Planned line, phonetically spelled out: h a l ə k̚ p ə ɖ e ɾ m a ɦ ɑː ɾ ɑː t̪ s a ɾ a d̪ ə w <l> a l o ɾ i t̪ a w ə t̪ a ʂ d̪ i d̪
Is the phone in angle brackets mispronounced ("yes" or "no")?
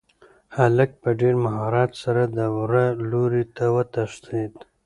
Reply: yes